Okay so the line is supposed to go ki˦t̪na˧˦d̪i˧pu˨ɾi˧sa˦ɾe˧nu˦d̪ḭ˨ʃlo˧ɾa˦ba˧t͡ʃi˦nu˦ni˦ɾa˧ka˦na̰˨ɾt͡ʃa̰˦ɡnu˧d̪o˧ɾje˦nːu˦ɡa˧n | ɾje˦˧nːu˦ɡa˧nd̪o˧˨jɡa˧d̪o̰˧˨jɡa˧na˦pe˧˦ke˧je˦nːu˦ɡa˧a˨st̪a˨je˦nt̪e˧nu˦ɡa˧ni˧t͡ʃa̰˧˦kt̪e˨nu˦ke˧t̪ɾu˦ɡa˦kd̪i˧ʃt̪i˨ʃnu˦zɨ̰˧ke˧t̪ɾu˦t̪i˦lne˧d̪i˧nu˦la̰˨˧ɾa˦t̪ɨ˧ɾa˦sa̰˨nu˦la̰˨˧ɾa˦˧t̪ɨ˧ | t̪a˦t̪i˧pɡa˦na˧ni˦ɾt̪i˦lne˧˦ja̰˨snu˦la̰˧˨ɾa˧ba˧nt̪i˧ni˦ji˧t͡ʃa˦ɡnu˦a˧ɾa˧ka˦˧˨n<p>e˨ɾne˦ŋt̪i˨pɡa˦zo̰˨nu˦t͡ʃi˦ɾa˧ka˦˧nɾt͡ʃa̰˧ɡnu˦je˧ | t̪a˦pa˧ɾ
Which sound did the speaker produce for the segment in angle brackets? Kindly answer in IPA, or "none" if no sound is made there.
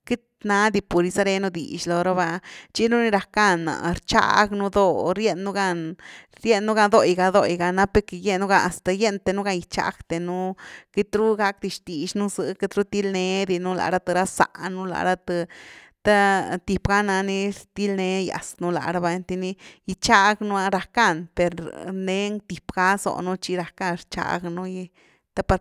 p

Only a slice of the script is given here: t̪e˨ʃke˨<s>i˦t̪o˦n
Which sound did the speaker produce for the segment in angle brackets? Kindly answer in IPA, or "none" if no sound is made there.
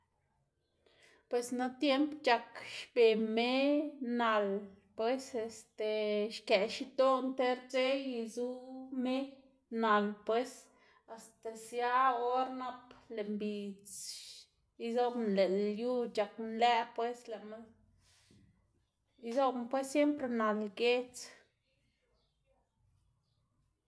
ʃ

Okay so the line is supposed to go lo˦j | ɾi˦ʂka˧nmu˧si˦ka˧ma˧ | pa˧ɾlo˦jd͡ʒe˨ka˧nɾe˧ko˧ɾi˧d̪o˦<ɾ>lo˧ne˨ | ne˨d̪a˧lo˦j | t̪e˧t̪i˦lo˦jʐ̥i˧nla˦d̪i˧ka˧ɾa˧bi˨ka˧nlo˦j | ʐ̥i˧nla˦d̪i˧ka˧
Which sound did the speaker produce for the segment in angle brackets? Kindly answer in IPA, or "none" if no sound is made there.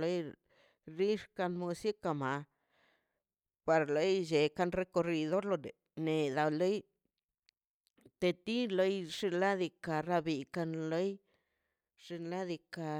ɾ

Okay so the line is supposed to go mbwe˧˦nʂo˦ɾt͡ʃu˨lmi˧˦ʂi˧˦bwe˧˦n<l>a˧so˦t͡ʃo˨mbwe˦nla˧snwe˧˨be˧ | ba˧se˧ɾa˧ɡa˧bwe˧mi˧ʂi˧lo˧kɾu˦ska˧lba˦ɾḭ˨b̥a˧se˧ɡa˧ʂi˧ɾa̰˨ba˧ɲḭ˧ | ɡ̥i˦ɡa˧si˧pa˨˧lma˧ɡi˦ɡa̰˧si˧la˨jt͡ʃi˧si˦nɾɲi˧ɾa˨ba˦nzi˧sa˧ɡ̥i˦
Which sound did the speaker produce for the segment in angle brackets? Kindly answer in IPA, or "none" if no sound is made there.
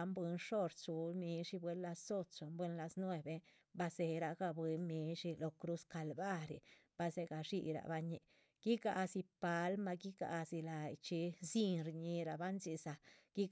l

